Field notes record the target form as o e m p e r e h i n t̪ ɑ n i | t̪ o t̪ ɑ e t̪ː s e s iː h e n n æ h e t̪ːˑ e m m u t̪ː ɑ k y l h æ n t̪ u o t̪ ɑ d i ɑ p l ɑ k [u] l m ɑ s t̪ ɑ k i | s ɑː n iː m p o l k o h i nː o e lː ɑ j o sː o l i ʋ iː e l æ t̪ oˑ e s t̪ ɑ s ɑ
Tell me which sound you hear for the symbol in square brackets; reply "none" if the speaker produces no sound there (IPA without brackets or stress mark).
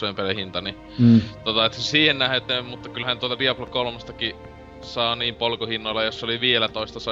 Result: o